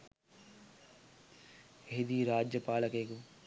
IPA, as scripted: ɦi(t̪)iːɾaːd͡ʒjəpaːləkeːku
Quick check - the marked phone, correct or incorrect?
incorrect: d̪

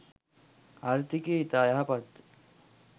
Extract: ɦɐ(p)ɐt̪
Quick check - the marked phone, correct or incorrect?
correct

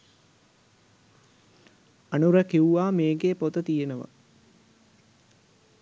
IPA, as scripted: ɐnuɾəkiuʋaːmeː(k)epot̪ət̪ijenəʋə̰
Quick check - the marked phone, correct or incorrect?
incorrect: ɡ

